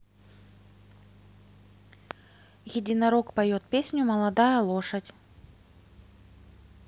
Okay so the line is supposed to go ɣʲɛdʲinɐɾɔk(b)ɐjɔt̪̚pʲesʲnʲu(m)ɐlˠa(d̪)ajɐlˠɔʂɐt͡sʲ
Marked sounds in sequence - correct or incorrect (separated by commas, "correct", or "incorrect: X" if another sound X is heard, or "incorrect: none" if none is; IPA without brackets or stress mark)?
incorrect: p, correct, correct